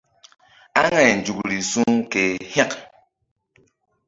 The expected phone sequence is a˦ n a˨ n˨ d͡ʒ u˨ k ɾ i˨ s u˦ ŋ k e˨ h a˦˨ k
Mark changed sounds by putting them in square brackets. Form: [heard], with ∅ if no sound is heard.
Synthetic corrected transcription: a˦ [ŋ] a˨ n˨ d͡ʒ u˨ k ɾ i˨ s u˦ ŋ k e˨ h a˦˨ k